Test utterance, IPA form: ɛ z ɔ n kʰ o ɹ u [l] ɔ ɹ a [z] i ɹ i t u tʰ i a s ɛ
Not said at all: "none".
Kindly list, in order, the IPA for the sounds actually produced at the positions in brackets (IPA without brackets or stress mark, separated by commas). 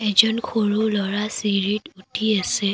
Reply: l, s